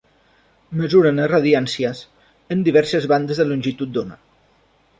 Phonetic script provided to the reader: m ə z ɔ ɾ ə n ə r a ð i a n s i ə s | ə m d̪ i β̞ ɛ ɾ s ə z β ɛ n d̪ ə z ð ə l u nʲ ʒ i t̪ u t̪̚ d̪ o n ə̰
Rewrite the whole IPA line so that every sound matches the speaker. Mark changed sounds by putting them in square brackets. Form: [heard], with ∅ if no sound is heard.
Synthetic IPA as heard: m ə z [u] ɾ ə n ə r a ð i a n s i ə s | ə [n] d̪ i β̞ ɛ ɾ s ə z β [a] n d̪ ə z ð ə l u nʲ ʒ i t̪ u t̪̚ d̪ o n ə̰